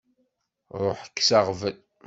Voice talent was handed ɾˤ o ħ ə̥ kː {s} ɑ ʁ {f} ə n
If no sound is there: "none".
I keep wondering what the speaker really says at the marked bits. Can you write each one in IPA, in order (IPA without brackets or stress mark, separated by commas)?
s, v